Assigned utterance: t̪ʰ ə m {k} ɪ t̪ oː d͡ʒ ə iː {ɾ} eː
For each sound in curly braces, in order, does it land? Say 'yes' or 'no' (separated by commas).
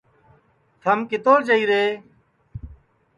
yes, yes